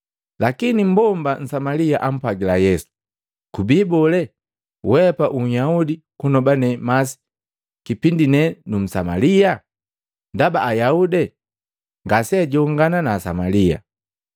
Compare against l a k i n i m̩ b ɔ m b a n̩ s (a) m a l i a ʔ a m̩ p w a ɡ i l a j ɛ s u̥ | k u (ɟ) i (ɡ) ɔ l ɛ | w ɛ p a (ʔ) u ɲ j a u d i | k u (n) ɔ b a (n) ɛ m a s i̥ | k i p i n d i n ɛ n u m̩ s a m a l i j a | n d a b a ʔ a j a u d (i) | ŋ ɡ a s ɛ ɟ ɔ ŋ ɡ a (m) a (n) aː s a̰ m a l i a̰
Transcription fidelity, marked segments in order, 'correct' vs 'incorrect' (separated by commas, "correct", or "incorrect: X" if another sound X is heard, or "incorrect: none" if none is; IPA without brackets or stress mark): correct, incorrect: b, incorrect: b, correct, correct, correct, incorrect: ɛ, incorrect: n, correct